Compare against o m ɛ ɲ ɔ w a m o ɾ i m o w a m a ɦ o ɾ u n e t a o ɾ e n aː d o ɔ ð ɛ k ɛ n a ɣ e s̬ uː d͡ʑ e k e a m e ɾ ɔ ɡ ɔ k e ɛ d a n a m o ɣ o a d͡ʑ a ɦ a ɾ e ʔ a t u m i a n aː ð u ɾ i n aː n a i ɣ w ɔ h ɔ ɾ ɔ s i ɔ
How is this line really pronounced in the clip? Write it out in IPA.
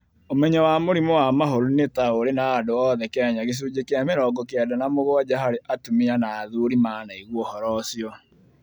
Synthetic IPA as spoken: o m ɛ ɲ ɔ w a m o ɾ i m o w a m a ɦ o ɾ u n e t a o ɾ e n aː d o ɔ ð ɛ k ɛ ɲ a ɣ e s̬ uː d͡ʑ e k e a m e ɾ ɔ ɡ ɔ k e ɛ d a n a m o ɣ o a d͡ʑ a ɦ a ɾ e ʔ a t u m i a n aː ð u ɾ i m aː n a i ɣ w ɔ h ɔ ɾ ɔ s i ɔ